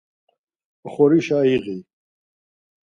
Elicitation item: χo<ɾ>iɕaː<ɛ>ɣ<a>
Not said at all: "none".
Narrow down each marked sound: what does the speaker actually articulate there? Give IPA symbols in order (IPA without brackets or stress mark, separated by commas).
ɾ, i, i